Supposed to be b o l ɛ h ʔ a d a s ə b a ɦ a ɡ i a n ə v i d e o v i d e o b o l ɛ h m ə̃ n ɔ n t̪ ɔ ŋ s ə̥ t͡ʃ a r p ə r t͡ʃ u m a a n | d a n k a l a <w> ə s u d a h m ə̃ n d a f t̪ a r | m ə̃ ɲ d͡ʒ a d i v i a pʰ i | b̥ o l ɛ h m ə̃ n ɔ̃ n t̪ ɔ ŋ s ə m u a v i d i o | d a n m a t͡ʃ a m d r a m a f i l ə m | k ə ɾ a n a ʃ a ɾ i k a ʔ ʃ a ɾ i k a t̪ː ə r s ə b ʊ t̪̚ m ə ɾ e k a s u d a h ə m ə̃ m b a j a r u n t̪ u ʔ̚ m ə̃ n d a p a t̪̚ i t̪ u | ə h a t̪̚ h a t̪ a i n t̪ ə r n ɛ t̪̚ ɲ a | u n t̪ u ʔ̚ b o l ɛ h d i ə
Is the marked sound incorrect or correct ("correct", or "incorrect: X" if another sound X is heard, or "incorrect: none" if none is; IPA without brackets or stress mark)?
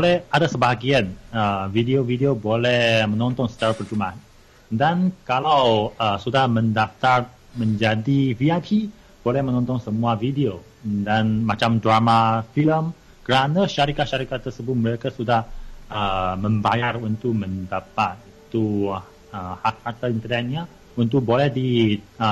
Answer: correct